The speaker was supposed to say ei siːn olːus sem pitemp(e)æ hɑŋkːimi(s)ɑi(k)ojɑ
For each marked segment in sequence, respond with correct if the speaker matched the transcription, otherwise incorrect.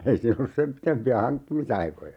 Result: incorrect: i, correct, correct

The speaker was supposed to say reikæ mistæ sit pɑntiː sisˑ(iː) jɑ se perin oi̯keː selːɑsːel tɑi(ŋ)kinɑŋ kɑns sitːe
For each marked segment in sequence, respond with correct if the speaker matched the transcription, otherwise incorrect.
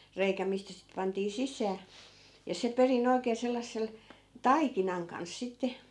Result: incorrect: æː, incorrect: none

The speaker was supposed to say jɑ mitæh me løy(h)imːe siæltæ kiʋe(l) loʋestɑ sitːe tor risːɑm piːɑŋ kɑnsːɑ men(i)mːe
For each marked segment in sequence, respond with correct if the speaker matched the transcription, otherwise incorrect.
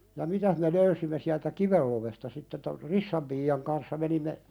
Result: incorrect: s, correct, correct

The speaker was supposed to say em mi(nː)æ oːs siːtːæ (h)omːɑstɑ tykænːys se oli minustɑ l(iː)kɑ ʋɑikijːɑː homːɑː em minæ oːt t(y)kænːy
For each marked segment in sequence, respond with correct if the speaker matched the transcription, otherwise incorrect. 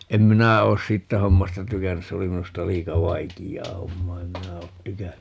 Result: incorrect: n, correct, correct, correct

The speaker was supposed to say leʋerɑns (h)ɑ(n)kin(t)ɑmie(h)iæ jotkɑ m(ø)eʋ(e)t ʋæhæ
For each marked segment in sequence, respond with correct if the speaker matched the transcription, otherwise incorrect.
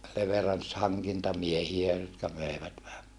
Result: correct, incorrect: ŋ, correct, correct, correct, incorrect: æ

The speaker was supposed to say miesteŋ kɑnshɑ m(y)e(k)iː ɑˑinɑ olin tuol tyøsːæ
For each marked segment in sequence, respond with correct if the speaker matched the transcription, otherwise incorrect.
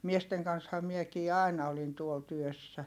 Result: incorrect: i, correct

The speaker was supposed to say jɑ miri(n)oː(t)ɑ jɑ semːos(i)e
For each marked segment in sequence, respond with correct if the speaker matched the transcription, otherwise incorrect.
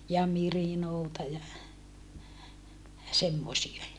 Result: correct, correct, correct

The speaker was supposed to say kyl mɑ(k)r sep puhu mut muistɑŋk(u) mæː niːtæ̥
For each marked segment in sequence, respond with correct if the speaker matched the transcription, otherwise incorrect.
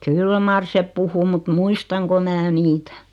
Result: incorrect: none, incorrect: o

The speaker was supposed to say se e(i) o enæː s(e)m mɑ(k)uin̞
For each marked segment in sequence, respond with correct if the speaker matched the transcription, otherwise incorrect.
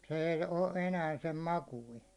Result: correct, correct, correct

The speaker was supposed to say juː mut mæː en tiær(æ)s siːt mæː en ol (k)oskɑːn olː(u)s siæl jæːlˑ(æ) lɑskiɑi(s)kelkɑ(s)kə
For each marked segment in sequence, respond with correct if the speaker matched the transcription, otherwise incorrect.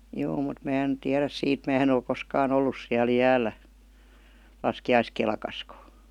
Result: correct, correct, correct, correct, correct, correct

